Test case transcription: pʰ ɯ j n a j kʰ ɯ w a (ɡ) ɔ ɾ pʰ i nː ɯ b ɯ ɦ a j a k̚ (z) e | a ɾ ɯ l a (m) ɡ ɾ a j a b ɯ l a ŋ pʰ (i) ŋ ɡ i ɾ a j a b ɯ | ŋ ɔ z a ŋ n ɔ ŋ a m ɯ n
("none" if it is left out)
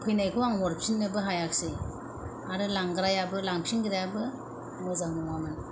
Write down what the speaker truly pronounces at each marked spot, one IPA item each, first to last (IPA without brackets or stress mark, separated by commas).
ŋ, s, ŋ, i